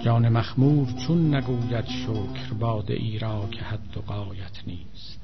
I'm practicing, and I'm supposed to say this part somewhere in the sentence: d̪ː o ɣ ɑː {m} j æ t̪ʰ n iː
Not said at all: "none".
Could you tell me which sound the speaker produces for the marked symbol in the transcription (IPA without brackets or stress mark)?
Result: none